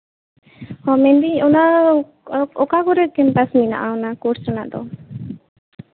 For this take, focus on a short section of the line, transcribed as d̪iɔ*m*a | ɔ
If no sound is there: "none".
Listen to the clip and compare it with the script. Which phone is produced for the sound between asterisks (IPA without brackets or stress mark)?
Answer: n